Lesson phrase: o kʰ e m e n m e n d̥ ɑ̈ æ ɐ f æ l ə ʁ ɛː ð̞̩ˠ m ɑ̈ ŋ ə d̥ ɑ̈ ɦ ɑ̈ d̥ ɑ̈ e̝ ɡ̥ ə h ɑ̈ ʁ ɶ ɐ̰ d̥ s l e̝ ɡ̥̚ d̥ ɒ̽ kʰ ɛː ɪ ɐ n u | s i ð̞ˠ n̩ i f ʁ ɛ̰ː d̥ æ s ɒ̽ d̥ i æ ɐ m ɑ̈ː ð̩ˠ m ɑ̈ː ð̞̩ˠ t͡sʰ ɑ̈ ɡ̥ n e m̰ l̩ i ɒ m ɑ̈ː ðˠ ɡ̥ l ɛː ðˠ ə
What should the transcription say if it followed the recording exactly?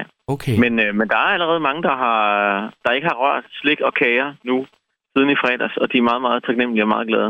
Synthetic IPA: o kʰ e m e n m e n d̥ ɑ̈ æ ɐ æ l ə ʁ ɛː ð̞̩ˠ m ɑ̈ ŋ ə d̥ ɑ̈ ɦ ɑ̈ d̥ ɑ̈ e̝ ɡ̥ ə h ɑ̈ ʁ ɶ ɐ̰ d̥ s l e̝ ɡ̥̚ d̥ ɒ̽ kʰ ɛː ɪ ɐ n u | s i ð̞ˠ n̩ i f ʁ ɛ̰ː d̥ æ s ɒ̽ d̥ i æ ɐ m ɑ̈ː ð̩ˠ m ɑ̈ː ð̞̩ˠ t͡sʰ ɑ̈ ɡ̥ n e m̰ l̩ i ɒ m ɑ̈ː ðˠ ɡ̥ l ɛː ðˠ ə